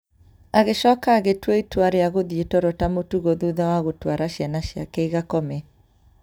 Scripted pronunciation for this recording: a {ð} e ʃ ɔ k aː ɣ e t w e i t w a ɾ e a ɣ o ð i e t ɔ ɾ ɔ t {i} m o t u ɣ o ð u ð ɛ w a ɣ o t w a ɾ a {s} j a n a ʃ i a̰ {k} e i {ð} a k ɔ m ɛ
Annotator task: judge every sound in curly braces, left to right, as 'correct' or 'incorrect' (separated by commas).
incorrect, incorrect, incorrect, correct, incorrect